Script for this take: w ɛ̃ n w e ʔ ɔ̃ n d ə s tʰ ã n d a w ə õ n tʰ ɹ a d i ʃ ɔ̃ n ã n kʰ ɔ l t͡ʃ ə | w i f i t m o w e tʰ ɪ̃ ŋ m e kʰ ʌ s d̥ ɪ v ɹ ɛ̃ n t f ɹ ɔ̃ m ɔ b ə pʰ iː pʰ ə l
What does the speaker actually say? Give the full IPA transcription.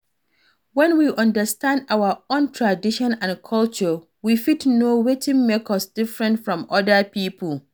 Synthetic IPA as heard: w ɛ̃ n w i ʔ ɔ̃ n d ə s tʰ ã n d a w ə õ n tʰ ɹ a d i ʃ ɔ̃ n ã n kʰ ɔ l t͡ʃ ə | w i f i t n o w e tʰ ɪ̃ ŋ m e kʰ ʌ s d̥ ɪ f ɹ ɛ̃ n t f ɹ ɔ̃ m ɔ d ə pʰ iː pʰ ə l

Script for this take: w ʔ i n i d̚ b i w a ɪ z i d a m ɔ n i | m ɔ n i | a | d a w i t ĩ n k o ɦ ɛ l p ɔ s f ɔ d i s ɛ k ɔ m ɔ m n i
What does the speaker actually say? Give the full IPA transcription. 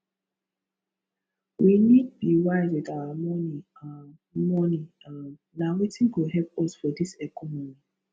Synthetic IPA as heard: w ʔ i n i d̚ b i w a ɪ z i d a m ɔ n i | m ɔ n i | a | n a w i t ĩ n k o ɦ ɛ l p ɔ s f ɔ d i s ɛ k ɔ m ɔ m n i

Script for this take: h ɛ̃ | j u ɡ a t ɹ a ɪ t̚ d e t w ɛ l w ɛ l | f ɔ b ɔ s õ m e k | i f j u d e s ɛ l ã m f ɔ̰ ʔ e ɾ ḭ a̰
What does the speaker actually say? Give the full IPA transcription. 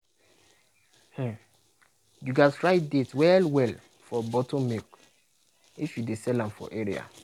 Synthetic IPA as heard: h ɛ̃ | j u ɡ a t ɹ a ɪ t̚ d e t w ɛ l w ɛ l | f ɔ b ɔ t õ m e k | i f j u d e s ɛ l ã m f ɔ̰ ʔ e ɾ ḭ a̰

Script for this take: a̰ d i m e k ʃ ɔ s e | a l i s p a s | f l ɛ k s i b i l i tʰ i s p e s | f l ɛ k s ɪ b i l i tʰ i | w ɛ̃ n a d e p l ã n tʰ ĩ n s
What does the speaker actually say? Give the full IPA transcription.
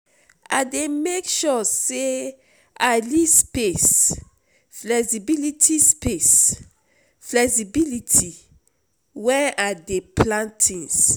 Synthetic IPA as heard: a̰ d e m e k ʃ ɔ s e | a l i s p e s | f l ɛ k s i b i l i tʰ i s p e s | f l ɛ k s i b i l i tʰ i | w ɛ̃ n a d e p l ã n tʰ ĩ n s

